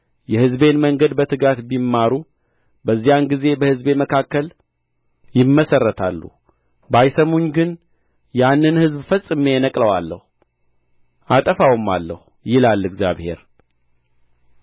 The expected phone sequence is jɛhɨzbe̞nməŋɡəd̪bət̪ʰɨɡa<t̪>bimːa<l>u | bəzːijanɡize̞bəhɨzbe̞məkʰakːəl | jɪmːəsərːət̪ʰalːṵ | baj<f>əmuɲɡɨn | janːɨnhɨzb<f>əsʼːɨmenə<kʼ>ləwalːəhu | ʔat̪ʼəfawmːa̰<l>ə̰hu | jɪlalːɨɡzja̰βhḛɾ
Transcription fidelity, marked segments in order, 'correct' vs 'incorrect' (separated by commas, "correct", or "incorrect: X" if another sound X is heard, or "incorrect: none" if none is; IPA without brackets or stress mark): correct, incorrect: ɾ, incorrect: s, correct, correct, incorrect: lː